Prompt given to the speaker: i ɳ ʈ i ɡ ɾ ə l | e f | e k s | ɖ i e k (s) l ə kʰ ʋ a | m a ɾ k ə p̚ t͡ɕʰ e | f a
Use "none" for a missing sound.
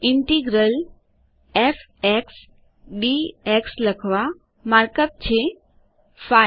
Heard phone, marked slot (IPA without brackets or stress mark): s